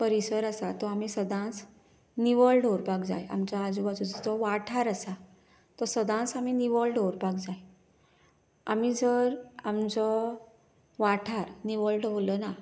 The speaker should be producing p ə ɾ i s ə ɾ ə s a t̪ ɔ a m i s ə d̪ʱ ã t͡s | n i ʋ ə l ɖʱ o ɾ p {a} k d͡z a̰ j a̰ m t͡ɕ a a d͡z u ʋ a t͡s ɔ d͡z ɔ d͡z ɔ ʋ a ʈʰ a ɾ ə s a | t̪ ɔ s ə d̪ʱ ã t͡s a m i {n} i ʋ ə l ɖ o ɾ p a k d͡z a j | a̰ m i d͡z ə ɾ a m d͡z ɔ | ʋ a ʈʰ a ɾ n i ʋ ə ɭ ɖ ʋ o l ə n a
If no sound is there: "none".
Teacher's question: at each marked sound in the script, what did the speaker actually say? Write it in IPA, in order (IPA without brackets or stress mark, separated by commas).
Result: a, n